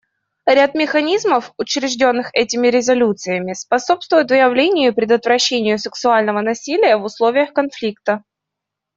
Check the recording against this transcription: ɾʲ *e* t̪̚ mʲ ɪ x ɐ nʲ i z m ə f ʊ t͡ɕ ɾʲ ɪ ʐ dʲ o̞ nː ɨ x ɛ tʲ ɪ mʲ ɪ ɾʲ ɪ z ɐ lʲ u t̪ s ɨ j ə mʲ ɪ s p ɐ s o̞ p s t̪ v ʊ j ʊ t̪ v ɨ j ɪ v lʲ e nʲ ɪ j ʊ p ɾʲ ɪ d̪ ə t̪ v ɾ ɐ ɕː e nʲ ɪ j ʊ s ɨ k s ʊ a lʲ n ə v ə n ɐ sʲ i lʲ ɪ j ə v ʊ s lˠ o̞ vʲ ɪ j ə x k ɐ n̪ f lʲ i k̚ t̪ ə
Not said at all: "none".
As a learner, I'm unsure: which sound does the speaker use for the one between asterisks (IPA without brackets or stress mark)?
a